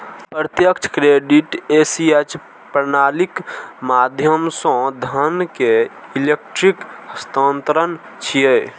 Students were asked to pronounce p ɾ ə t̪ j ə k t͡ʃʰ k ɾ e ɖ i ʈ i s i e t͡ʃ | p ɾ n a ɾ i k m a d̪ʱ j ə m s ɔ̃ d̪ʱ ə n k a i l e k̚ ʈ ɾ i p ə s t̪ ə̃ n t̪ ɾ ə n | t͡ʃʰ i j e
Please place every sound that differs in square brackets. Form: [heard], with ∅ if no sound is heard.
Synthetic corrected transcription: p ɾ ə t̪ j ə k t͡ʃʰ k ɾ e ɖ i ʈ [e] s i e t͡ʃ | p ɾ n a [l] i k m a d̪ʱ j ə m s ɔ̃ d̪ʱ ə n k [e] i l e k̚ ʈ ɾ i [k] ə s t̪ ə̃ n t̪ ɾ ə n | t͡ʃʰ i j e